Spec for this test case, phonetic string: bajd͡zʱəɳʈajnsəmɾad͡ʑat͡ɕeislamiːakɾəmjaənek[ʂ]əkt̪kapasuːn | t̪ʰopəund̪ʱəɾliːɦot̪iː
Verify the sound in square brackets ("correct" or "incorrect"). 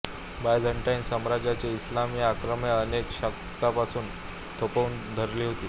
incorrect